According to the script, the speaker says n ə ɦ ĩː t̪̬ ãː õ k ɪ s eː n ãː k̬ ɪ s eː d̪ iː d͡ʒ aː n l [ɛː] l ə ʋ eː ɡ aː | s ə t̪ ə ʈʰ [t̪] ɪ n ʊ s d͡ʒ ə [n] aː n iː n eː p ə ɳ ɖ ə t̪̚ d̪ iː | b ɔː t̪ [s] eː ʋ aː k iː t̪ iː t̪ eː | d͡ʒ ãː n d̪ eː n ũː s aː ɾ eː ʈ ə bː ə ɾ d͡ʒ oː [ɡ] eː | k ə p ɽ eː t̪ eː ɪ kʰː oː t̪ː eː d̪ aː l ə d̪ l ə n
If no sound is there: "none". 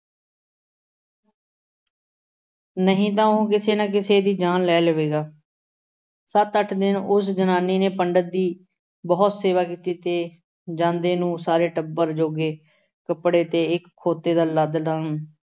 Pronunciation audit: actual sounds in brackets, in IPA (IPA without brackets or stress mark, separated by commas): ɛː, d̪, n, s, ɡ